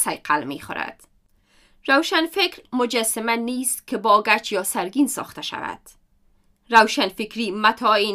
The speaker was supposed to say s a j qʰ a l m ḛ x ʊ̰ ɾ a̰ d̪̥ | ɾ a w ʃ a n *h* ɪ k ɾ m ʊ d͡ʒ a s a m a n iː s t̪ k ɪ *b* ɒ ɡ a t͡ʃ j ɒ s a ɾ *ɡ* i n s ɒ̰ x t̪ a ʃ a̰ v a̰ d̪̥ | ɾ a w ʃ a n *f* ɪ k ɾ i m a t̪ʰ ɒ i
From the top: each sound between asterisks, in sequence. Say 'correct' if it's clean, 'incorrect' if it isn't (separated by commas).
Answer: incorrect, correct, correct, correct